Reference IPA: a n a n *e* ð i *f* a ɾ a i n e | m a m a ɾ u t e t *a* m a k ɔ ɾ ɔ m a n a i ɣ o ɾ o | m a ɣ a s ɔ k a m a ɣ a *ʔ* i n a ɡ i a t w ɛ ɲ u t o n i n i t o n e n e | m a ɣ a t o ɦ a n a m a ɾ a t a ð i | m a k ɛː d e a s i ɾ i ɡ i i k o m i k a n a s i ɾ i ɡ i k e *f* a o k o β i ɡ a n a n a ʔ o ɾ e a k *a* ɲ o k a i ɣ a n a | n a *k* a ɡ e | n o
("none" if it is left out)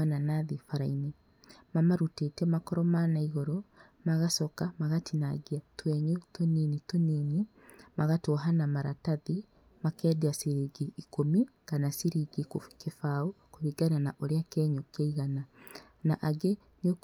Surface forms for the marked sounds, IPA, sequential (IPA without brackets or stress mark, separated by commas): a, f, ɛ, t, f, ɛ, ʔ